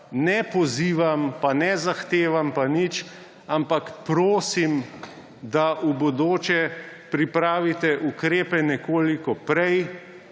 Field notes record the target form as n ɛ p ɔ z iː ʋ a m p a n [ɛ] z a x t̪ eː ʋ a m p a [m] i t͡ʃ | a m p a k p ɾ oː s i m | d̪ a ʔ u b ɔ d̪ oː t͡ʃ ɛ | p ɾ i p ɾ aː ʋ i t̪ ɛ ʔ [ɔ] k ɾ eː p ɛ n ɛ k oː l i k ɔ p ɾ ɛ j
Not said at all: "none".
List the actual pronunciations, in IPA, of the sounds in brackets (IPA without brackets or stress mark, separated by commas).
ɛ, n, u